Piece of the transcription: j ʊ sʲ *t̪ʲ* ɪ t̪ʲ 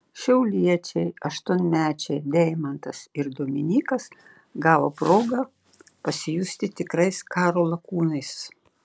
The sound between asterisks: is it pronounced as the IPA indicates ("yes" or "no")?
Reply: yes